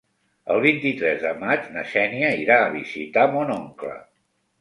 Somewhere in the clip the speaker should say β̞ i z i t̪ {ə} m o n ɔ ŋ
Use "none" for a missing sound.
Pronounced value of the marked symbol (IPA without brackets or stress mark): a